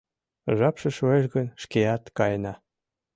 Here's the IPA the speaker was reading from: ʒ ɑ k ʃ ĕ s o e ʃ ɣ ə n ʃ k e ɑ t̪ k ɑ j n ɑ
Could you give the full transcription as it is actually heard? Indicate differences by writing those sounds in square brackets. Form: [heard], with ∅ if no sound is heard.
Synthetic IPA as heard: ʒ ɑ [p] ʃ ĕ [ʃ] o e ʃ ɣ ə n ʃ k e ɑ t̪ k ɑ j n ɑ